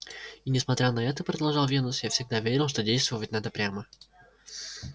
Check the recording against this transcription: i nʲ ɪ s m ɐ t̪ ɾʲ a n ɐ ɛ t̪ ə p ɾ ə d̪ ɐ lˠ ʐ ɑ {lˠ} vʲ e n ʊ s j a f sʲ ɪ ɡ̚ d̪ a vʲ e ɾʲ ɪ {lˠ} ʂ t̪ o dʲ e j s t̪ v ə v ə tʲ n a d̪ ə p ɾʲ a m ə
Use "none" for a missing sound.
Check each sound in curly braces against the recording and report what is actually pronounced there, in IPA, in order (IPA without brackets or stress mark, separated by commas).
lˠ, lˠ